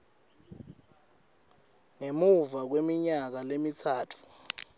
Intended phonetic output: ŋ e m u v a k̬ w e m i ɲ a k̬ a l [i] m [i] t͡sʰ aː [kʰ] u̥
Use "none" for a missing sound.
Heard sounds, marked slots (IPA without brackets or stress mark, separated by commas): e, i, tʰ